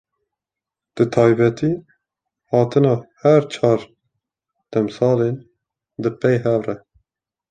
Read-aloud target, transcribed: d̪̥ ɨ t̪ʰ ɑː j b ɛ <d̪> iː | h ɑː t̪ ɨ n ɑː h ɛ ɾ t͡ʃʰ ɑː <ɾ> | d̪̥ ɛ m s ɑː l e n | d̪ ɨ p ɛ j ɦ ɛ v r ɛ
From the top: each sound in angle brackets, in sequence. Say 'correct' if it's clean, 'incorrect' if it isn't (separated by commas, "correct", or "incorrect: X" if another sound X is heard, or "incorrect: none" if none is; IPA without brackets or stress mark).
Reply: incorrect: t̪, correct